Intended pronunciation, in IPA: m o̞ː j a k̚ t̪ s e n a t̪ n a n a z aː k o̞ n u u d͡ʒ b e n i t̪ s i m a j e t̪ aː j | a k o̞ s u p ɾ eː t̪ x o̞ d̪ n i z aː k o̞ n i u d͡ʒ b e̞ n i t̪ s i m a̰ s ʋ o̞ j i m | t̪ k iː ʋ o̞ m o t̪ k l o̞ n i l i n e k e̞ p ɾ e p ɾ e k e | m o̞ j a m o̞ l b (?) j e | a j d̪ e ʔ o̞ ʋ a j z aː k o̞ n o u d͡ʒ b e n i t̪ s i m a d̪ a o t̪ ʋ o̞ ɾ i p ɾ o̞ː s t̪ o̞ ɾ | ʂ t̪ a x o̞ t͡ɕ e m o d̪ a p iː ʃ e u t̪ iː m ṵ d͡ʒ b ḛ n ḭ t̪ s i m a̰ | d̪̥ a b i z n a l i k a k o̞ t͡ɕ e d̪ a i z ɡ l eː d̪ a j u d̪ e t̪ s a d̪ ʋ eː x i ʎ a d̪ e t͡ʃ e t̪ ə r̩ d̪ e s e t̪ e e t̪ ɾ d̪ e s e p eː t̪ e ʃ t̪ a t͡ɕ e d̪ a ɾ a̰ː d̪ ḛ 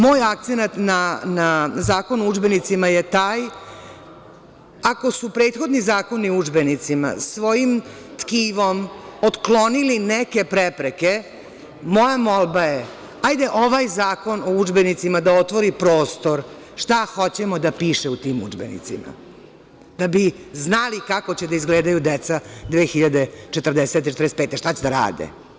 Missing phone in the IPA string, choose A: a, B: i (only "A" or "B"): A